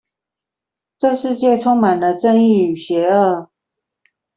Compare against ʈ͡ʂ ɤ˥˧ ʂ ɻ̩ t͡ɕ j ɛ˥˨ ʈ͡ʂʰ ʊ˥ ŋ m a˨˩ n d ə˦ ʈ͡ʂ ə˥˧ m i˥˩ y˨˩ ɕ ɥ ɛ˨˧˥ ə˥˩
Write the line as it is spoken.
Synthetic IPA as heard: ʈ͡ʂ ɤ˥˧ ʂ ɻ̩ t͡ɕ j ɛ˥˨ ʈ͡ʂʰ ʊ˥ ŋ m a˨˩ n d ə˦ ʈ͡ʂ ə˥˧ ŋ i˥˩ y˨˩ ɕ ɥ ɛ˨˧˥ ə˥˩